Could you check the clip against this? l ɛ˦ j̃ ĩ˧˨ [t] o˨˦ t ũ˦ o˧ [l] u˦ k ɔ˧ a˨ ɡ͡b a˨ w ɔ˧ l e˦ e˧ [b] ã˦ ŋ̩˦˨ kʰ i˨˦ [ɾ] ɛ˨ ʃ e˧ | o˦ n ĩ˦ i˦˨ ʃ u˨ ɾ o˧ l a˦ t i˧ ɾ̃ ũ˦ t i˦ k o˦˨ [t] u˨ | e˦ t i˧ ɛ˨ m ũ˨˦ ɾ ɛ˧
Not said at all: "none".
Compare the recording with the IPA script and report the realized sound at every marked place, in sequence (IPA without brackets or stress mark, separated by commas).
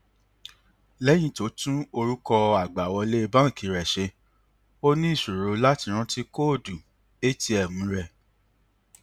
t, ɾ, b, ɾ, d